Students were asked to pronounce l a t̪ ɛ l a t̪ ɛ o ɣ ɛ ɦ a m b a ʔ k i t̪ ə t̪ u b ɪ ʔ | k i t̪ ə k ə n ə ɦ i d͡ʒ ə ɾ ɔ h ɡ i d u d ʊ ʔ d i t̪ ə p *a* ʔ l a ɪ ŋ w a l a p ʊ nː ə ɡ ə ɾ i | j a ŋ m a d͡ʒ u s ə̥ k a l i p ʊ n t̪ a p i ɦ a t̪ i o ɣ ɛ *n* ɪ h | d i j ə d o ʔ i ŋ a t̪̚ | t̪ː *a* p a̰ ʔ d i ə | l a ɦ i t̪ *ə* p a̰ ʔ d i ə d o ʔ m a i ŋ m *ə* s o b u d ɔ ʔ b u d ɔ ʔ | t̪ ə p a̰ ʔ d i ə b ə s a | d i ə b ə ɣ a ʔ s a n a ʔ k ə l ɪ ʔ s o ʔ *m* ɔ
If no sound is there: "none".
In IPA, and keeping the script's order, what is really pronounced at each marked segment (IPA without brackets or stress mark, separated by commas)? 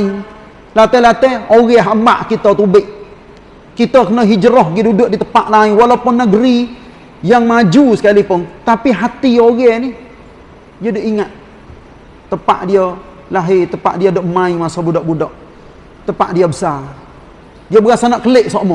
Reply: a, n, ə, ə, a, m